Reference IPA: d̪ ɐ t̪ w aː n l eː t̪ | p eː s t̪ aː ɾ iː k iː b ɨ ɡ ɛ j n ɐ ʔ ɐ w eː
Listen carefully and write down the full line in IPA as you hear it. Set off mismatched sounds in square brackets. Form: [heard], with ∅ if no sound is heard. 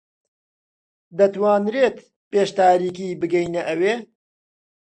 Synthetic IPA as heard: d̪ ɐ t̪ w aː n [ɾ] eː t̪ | p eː [ʃ] t̪ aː ɾ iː k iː b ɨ ɡ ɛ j n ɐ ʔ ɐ w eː

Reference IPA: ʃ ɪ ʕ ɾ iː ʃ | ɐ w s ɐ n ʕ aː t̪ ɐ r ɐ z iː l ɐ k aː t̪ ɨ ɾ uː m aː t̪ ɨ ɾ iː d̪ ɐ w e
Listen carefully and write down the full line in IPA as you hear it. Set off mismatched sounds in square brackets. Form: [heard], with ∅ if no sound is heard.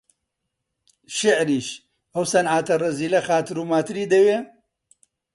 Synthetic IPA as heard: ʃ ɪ ʕ ɾ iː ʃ | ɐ w s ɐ n ʕ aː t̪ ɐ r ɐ z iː l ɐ [x] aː t̪ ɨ ɾ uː m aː t̪ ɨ ɾ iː d̪ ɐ w e

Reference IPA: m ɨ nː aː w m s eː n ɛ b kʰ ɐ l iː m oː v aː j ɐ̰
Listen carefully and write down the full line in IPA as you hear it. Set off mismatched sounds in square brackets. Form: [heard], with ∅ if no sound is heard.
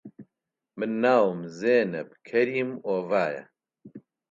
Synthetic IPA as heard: m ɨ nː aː w m [z] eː n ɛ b kʰ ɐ [ɾ] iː m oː v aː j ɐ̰

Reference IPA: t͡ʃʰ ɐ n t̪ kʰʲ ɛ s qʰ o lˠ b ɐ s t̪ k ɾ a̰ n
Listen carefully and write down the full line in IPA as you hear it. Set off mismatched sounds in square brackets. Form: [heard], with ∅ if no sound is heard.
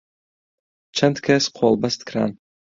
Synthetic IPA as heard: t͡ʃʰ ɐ n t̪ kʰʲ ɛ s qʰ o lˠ b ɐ s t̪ k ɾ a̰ n

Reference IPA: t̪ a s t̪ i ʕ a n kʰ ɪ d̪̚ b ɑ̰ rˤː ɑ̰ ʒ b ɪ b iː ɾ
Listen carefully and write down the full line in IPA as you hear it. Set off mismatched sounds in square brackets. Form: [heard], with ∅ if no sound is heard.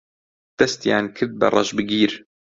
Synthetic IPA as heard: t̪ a s t̪ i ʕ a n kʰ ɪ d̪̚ b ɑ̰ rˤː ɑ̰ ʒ b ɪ [ɡ] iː ɾ

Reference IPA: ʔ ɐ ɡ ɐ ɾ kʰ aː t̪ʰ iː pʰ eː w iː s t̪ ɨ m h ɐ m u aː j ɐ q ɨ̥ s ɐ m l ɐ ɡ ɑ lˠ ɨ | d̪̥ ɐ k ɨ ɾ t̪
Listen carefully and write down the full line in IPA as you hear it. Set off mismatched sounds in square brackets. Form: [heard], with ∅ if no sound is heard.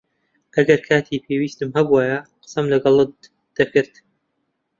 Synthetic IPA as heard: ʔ ɐ ɡ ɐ ɾ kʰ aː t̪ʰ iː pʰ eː w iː s t̪ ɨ m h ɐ [b] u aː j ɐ q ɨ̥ s ɐ m l ɐ ɡ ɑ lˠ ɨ | d̪̥ ɐ k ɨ ɾ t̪

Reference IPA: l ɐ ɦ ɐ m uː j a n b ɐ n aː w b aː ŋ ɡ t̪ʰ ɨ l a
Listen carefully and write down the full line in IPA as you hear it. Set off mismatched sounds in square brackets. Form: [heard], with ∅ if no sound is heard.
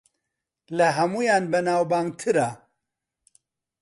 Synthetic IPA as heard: l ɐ ɦ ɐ m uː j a n b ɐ n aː w b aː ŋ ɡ t̪ʰ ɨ [ɾ] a

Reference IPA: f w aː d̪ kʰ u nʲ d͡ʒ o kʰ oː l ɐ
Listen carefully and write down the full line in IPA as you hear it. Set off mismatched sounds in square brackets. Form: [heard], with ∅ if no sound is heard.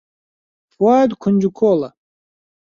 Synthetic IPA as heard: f w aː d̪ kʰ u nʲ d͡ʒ [u] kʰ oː l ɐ

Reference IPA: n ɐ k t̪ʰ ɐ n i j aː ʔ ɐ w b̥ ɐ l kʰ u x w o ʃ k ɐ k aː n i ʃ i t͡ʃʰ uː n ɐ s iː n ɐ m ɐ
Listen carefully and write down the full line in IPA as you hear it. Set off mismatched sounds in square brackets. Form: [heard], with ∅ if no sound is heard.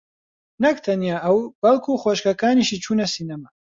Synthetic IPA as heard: n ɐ k t̪ʰ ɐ n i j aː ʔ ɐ w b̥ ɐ l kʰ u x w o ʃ k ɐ k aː n i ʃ i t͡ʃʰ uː n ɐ s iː n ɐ m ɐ

